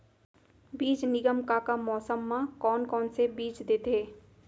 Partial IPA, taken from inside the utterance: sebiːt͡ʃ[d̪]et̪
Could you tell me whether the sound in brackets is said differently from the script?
no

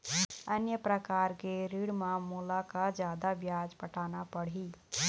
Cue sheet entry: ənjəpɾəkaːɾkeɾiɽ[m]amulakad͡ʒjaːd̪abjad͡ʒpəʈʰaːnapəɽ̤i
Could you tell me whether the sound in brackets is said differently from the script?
no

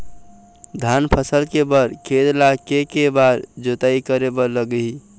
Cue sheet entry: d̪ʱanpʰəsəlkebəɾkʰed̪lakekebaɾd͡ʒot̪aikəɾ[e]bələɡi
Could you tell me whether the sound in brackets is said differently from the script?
no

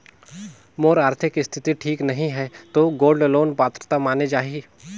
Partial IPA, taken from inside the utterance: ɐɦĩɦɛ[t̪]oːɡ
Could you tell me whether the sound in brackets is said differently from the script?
no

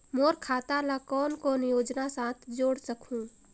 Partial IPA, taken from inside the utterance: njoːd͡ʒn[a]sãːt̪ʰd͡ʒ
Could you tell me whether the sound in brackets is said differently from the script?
no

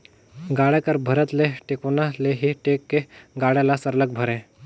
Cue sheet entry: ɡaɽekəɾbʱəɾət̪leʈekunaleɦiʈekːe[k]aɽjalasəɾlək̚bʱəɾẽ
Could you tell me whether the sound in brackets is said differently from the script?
yes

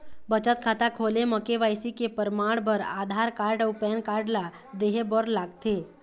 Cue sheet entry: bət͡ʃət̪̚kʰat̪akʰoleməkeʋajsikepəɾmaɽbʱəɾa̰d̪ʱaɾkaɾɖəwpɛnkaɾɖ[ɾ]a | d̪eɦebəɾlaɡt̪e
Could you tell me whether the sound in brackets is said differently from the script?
yes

